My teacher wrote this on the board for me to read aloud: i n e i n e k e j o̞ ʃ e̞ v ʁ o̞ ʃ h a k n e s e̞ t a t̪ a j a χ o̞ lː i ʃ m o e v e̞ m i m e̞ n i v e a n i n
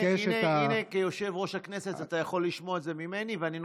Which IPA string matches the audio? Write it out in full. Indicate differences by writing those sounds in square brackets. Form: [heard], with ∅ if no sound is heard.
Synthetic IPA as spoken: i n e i n e k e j o̞ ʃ e̞ v ʁ o̞ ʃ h a k n e s e̞ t a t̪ a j a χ o̞ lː i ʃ m o e [z] e̞ m i m e̞ n i v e a n i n